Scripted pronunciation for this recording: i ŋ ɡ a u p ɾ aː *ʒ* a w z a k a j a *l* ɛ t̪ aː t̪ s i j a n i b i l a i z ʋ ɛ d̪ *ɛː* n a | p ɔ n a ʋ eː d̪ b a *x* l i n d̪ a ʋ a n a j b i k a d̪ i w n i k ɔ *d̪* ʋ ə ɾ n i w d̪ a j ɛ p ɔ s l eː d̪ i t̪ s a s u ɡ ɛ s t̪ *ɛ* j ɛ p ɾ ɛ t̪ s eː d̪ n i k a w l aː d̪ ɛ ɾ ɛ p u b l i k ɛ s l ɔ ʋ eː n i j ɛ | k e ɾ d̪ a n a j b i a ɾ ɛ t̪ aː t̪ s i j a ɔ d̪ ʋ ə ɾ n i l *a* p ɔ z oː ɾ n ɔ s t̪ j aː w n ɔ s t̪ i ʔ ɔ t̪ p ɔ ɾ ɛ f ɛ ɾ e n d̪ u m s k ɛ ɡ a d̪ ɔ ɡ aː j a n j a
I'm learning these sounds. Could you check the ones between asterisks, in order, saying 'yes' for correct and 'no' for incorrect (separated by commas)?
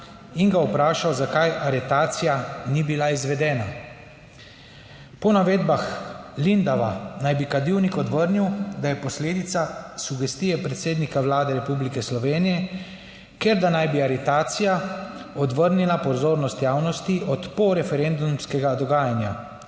no, no, yes, yes, yes, no, yes